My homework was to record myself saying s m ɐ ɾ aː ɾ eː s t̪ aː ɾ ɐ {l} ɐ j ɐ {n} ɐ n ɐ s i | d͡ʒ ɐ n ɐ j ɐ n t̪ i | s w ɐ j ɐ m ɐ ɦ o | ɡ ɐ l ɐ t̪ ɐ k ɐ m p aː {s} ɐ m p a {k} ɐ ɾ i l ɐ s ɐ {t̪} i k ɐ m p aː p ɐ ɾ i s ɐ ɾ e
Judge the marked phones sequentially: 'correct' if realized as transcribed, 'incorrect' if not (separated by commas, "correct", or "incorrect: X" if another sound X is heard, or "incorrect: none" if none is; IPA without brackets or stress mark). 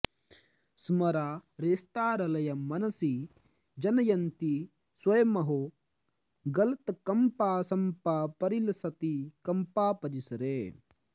correct, incorrect: m, correct, incorrect: p, correct